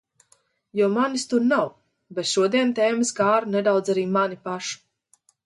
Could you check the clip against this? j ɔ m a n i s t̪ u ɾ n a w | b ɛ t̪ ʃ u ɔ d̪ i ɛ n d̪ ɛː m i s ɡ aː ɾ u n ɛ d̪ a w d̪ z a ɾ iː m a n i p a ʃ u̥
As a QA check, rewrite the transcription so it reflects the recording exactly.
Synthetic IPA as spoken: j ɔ m a n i s t̪ u ɾ n a w | b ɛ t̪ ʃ u ɔ d̪ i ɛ n t̪ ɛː m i s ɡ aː ɾ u n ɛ d̪ a w d̪ z a ɾ iː m a n i p a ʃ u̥